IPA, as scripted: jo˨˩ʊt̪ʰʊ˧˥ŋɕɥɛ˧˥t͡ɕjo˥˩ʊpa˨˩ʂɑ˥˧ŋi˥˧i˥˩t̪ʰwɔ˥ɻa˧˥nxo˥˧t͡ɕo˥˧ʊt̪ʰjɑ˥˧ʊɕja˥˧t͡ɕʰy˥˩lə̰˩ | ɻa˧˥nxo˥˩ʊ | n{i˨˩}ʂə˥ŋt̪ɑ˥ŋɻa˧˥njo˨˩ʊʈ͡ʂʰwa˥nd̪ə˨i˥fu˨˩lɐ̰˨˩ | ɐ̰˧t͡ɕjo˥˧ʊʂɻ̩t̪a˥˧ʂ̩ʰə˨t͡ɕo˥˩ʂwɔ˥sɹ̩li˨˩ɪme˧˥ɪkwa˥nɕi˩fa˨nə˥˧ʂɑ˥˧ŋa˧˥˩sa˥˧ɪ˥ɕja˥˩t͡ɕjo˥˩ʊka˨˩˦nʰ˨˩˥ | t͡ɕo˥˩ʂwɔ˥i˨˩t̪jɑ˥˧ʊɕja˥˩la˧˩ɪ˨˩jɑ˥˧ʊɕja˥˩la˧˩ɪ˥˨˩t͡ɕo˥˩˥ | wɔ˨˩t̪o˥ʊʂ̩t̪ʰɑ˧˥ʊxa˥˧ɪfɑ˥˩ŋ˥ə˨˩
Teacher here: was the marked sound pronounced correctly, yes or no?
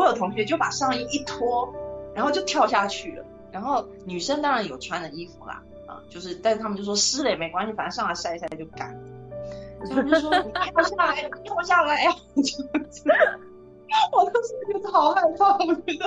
no